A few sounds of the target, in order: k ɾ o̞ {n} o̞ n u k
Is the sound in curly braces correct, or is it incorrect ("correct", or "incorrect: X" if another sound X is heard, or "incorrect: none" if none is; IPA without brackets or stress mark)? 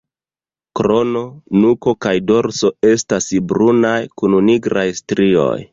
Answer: correct